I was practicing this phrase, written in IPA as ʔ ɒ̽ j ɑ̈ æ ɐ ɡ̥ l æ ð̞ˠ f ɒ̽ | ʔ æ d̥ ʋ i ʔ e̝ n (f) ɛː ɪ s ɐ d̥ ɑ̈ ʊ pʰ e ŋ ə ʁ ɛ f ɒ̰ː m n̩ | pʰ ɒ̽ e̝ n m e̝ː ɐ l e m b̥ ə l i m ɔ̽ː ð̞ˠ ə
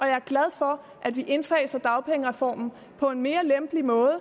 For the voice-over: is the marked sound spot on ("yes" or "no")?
yes